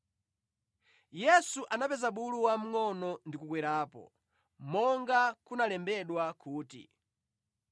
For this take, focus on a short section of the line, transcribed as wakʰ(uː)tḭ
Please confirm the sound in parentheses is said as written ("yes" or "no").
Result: yes